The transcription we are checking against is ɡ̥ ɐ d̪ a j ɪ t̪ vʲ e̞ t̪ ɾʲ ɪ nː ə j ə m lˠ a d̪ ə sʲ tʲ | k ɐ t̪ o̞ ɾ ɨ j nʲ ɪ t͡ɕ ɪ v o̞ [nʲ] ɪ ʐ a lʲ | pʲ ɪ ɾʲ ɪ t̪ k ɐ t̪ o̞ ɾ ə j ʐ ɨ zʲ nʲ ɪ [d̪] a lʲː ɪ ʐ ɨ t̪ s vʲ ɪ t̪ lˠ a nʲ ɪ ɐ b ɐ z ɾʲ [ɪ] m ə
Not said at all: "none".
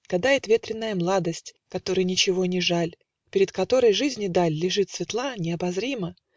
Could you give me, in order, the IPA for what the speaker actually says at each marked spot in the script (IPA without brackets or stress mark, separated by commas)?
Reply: nʲ, d̪, i